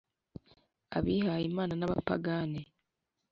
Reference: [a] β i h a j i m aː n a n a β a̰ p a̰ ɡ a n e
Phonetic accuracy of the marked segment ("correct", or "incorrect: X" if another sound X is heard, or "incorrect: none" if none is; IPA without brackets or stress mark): correct